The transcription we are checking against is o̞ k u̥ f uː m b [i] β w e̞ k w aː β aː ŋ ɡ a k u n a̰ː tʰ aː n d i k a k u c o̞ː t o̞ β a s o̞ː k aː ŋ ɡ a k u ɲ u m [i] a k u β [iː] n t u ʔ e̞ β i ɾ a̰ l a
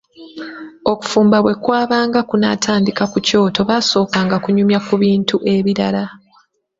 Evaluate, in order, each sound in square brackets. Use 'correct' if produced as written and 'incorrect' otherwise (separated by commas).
incorrect, incorrect, correct